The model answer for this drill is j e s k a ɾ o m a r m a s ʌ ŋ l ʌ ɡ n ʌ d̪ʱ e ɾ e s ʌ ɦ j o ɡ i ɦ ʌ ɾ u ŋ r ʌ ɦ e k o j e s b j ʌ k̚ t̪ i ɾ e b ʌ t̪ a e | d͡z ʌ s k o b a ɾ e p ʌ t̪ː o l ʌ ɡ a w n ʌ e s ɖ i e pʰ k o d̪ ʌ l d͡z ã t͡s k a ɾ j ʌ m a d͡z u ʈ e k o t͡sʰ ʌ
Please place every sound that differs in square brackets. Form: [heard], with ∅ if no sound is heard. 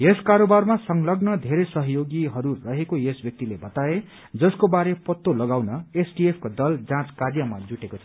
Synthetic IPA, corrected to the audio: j e s k a ɾ o [b] a r m a s ʌ ŋ l ʌ ɡ n ʌ d̪ʱ e ɾ e s ʌ ɦ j o ɡ i ɦ ʌ ɾ u [∅] r ʌ ɦ e k o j e s b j ʌ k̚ t̪ i [l] e b ʌ t̪ a e | d͡z ʌ s k o b a ɾ e p ʌ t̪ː o l ʌ ɡ a w n ʌ e s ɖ i e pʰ k o d̪ ʌ l d͡z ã t͡s k a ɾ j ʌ m a d͡z u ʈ e k o t͡sʰ ʌ